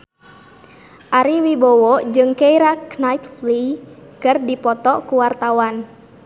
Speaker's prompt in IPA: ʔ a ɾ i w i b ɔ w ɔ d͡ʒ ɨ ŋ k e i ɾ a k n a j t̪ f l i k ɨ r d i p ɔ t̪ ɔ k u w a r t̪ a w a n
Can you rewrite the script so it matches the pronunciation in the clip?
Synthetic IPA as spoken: ʔ a ɾ i w i b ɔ w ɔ d͡ʒ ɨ ŋ k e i ɾ a k n a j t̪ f l i k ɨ r d i p ɔ t̪ ɔ k u w a r t̪ a w a n